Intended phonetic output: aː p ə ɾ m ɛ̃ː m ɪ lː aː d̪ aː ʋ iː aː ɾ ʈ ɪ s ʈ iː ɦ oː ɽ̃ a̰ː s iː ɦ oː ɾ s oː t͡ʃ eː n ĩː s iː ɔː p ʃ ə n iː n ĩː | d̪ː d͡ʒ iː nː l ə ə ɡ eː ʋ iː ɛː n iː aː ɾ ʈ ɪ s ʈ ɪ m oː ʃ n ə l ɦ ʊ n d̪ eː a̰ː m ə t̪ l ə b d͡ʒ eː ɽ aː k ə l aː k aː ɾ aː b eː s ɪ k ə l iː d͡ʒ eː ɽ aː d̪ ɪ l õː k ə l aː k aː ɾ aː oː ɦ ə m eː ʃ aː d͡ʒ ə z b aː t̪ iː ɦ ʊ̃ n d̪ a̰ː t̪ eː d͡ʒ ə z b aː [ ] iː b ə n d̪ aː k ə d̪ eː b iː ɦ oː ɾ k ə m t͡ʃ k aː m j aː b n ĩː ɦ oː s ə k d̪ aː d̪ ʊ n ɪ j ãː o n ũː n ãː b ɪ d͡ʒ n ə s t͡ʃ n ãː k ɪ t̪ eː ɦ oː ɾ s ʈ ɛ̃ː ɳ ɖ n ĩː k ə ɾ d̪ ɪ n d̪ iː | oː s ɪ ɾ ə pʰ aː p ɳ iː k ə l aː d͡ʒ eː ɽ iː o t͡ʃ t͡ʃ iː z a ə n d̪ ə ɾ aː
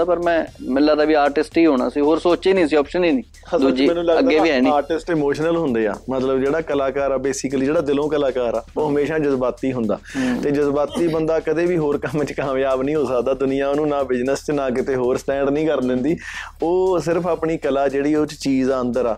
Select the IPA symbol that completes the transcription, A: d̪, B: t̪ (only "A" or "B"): B